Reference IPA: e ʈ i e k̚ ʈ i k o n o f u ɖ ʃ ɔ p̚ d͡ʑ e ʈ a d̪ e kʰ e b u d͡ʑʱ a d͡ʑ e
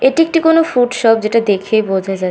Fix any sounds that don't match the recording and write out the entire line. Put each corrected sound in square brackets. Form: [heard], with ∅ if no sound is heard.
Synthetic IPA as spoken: e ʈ i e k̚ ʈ i k o n o f u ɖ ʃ ɔ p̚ d͡ʑ e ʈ a d̪ e kʰ e b [o] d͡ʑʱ a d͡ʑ [a]